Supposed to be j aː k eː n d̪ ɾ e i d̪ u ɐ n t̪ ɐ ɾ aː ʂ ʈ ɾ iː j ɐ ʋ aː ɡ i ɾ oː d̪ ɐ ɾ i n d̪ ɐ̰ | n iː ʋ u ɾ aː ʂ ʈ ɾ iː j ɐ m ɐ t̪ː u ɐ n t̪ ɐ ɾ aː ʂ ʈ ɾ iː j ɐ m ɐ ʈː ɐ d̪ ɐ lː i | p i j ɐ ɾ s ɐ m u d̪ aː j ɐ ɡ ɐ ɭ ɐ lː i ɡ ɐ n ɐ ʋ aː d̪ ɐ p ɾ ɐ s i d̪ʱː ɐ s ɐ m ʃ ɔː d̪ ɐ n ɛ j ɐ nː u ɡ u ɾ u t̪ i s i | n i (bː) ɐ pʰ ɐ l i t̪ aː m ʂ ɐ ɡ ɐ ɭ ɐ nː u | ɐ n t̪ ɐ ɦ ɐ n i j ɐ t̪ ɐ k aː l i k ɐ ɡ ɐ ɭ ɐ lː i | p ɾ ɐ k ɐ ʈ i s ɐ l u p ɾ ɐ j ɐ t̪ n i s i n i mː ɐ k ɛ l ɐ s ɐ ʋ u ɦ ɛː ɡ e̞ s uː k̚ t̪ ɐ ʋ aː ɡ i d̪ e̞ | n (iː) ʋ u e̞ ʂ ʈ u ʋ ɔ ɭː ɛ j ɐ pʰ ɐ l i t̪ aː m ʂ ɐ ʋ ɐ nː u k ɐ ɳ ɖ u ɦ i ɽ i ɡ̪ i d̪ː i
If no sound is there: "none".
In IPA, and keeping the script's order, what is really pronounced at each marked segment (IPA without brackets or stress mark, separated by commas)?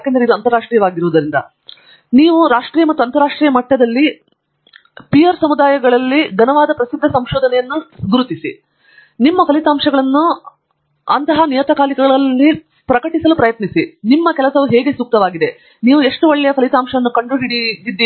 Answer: mː, iː